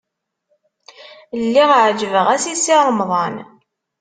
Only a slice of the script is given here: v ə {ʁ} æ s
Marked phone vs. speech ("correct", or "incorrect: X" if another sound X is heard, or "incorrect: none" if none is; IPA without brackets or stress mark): correct